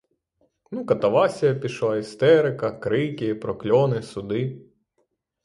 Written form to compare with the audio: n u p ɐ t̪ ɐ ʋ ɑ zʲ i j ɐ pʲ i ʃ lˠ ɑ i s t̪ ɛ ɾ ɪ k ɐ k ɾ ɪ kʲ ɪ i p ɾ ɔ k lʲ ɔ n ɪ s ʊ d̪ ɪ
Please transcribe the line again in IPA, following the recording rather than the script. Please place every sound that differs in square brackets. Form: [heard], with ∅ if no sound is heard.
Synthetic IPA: n u [k] ɐ t̪ ɐ ʋ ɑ [sʲ] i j ɐ pʲ i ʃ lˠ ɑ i s t̪ ɛ ɾ ɪ k ɐ k ɾ ɪ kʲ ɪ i p ɾ ɔ k lʲ ɔ n ɪ s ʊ d̪ ɪ